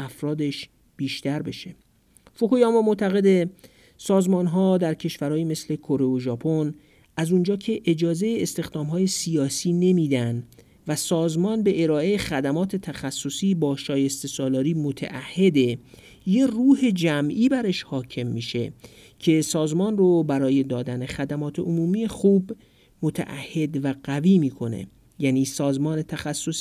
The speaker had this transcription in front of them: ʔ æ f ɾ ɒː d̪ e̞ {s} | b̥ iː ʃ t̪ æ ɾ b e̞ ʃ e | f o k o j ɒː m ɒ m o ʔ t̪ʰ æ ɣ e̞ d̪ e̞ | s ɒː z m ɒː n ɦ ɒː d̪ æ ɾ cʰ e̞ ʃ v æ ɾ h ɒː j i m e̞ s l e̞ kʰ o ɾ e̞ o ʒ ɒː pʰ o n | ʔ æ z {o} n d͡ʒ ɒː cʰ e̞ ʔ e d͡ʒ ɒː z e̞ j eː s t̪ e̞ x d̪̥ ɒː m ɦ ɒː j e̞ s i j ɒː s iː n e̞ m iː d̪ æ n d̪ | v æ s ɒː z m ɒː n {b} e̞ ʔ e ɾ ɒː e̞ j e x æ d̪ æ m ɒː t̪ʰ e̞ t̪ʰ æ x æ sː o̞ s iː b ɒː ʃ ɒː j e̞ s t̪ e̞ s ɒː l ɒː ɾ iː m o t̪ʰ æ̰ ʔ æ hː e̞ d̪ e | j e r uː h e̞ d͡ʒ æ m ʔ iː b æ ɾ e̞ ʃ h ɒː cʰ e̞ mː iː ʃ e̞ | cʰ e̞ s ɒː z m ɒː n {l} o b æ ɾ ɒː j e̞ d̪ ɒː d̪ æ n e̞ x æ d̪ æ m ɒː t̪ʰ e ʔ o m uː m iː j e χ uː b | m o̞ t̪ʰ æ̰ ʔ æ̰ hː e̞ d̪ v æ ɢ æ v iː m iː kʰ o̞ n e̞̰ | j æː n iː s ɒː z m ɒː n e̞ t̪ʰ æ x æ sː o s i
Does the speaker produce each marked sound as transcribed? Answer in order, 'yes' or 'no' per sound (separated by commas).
no, no, yes, no